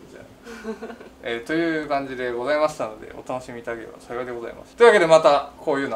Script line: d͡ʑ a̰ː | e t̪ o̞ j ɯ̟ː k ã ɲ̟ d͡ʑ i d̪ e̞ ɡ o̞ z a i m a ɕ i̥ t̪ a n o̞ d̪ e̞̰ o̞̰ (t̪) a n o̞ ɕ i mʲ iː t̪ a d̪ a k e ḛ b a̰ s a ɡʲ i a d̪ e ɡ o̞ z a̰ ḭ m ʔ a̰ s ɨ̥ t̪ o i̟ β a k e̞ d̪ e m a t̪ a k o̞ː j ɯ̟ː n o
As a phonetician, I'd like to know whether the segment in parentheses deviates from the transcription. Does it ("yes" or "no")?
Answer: no